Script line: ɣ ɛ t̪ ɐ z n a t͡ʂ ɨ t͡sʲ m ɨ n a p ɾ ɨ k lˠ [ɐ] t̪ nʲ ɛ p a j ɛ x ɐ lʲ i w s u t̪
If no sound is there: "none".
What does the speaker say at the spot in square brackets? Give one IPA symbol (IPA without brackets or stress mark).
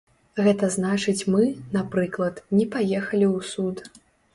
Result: ɐ